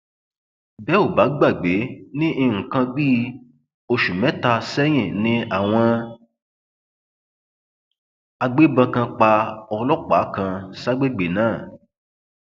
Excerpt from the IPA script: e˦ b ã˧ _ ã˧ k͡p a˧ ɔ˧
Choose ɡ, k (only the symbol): k